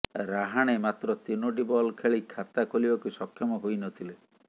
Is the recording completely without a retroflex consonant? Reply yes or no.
no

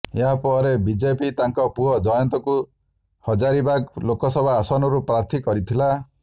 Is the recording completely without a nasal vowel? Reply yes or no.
yes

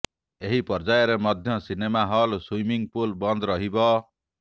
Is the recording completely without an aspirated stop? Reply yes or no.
yes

